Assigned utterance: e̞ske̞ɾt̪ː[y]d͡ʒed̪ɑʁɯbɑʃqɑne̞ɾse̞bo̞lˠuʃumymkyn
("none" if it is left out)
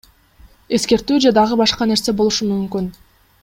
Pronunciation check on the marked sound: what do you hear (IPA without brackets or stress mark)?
yː